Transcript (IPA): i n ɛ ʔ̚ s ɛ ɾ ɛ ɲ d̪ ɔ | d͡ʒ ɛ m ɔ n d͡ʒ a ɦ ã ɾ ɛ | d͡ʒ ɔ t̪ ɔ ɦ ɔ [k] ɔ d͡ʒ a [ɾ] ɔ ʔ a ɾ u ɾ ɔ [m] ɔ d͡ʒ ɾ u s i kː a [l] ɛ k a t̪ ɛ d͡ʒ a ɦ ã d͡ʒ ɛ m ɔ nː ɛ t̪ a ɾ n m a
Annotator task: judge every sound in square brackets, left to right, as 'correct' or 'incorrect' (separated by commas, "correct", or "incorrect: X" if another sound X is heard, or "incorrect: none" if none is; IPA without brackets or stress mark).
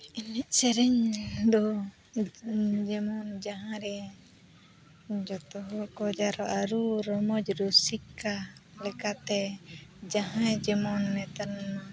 correct, correct, correct, correct